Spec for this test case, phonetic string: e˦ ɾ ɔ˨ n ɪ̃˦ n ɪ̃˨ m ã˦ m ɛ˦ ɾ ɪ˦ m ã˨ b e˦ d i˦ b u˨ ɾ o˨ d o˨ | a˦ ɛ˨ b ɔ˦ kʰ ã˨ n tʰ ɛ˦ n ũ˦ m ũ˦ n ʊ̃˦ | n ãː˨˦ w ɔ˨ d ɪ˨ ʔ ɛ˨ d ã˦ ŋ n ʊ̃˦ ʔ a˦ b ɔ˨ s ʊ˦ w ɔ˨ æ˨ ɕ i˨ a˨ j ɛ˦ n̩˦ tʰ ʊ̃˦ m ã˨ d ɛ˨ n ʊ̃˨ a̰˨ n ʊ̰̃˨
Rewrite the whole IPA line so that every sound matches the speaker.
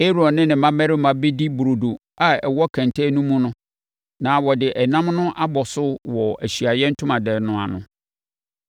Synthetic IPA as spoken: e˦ ɾ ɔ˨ n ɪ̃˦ n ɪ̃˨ m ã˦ m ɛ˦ ɾ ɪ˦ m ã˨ b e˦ d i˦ b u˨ ɾ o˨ d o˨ | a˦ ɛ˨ w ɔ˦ kʰ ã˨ n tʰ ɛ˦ n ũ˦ m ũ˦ n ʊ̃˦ | n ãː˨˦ w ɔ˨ d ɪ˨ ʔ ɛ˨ n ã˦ m n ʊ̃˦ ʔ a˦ b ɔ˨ s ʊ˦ w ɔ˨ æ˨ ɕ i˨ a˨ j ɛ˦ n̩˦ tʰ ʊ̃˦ m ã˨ d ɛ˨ n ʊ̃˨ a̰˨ n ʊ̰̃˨